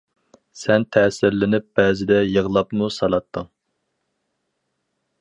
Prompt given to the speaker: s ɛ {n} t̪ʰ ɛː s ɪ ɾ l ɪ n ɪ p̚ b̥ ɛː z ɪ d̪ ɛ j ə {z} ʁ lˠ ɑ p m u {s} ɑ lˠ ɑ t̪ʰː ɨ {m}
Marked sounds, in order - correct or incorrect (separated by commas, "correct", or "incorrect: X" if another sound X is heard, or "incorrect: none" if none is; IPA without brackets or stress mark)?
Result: correct, incorrect: none, correct, incorrect: ŋ